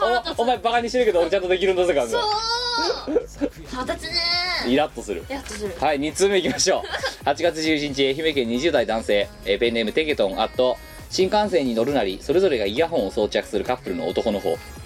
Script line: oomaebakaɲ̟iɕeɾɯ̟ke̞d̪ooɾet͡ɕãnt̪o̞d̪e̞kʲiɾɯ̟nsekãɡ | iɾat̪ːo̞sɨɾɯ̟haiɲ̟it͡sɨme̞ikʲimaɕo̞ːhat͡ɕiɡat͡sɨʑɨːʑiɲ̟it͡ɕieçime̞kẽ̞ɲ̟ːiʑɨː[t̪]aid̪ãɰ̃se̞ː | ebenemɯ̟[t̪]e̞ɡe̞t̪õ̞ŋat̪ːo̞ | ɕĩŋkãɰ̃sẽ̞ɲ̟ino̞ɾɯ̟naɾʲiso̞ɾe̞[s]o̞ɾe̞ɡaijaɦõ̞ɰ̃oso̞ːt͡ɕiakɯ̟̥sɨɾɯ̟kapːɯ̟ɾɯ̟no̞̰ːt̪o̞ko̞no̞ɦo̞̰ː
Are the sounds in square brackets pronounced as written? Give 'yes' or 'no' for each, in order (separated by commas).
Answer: no, yes, no